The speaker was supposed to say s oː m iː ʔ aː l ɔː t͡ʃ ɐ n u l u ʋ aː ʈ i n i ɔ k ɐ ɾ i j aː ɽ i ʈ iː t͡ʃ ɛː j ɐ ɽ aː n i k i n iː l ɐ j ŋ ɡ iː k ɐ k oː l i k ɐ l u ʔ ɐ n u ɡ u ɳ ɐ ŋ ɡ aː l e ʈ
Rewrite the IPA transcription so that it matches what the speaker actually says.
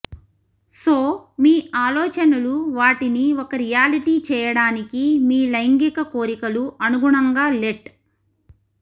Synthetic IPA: s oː m iː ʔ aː l ɔː t͡ʃ ɐ n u l u ʋ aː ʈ i n i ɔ k ɐ ɾ i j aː l i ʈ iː t͡ʃ ɛː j ɐ ɽ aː n i k i m iː l ɐ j ŋ ɡ i k ɐ k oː ɾ i k ɐ l u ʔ ɐ n u ɡ u ɳ ɐ ŋ ɡ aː l e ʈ

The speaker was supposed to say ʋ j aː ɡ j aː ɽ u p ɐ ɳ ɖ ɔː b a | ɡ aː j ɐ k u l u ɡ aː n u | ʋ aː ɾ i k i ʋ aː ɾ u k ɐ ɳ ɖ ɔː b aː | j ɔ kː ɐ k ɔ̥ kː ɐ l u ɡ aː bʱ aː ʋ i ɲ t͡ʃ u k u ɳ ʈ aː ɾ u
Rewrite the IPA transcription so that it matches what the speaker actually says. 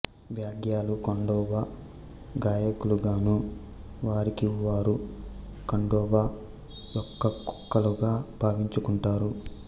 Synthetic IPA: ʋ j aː ɡ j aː l u k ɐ ɳ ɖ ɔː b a | ɡ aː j ɐ k u l u ɡ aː n u | ʋ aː ɾ i k i ʋ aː ɾ u k ɐ ɳ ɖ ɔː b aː | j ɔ kː ɐ k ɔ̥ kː ɐ l u ɡ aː bʱ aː ʋ i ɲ t͡ʃ u k u ɳ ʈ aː ɾ u

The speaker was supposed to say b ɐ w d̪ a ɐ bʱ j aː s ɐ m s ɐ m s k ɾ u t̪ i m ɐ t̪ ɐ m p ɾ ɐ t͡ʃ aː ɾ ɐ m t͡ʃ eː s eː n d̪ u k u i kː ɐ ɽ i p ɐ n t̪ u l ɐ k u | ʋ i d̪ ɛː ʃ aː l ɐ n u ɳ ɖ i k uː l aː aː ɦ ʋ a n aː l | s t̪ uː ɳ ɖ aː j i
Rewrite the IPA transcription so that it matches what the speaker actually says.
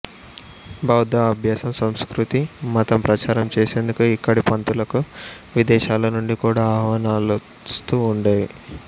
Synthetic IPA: b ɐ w d̪ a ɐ bʱ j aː s ɐ m s ɐ m s k ɾ u t̪ i m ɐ t̪ ɐ m p ɾ ɐ t͡ʃ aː ɾ ɐ m t͡ʃ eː s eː n d̪ u k u i kː ɐ ɽ i p ɐ n t̪ u l ɐ k u | ʋ i d̪ ɛː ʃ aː l ɐ n u ɳ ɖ i k uː ɽ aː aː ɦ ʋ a n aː l | s t̪ uː ɳ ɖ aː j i

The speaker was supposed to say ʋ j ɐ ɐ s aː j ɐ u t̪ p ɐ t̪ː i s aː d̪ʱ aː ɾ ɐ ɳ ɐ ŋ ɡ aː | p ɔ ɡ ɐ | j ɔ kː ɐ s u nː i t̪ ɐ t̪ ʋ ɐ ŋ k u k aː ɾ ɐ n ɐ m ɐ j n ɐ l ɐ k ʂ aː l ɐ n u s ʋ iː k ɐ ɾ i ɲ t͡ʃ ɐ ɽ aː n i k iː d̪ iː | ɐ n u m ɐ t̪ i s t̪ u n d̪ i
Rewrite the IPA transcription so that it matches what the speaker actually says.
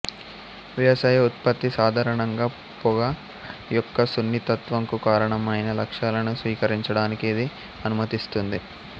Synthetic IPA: ʋ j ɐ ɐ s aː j ɐ u t̪ p ɐ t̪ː i s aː d̪ʱ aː ɾ ɐ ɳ ɐ ŋ ɡ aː | p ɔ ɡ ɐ | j ɔ kː ɐ s u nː i t̪ ɐ t̪ ʋ ɐ ŋ k u k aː ɾ ɐ ɳ ɐ m ɐ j n ɐ l ɐ k ʂ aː l ɐ n u s ʋ iː k ɐ ɾ i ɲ t͡ʃ ɐ ɽ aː n i k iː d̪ i | ɐ n u m ɐ t̪ i s t̪ u n d̪ i

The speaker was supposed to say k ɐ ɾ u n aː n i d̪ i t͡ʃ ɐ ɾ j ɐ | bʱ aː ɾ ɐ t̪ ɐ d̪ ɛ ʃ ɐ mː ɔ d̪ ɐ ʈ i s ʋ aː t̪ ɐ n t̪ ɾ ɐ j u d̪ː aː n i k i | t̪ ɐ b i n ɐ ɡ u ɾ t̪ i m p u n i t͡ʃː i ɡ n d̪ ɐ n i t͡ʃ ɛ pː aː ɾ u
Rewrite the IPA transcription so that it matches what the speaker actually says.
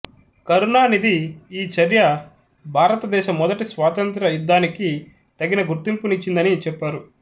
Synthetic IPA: k ɐ ɾ u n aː n i d̪ iː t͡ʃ ɐ ɾ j ɐ | bʱ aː ɾ ɐ t̪ ɐ d̪ ɛː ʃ ɐ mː ɔ d̪ ɐ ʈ i s ʋ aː t̪ ɐ n t̪ ɾ ɐ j u d̪ː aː n i k i | t̪ ɐ ɡ i n ɐ ɡ u ɾ t̪ i m p u n i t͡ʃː i n d̪ ɐ n i t͡ʃ ɛ pː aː ɾ u

